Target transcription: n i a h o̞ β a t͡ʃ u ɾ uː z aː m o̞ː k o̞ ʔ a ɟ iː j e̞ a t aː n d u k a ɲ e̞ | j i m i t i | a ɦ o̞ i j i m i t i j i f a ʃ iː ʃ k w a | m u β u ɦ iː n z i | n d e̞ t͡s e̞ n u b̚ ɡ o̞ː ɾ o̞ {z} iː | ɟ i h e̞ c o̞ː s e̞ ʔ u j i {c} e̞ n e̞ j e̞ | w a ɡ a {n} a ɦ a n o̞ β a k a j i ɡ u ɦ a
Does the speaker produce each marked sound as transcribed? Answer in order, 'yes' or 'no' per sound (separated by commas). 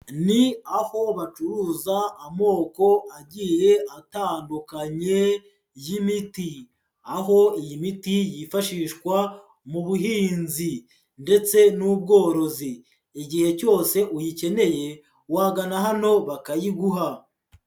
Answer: yes, yes, yes